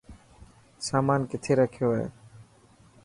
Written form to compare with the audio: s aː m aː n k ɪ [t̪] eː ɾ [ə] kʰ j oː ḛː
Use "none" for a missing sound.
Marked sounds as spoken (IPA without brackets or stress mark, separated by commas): t̪ʰ, ə